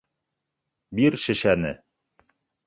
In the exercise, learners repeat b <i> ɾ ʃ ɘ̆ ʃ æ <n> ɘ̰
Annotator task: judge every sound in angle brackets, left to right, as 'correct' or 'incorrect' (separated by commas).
correct, correct